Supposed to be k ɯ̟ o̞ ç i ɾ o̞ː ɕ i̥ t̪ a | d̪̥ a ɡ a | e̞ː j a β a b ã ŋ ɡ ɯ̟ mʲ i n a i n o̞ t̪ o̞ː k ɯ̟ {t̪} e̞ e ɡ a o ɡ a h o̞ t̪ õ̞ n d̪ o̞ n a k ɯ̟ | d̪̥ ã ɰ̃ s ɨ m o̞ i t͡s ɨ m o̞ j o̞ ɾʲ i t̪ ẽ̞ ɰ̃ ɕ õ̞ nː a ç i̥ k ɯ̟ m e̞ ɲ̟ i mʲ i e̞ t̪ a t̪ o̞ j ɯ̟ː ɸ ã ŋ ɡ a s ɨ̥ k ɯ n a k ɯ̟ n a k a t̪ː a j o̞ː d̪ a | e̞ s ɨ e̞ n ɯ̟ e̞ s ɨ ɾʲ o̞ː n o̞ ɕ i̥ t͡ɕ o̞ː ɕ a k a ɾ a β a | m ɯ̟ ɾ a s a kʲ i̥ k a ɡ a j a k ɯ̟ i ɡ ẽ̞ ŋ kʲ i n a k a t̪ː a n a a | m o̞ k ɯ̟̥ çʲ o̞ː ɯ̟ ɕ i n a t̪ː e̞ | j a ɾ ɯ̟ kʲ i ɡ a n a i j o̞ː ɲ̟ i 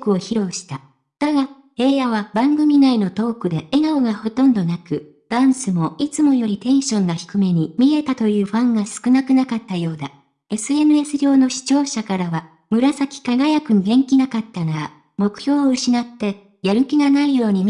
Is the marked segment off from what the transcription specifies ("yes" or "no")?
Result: yes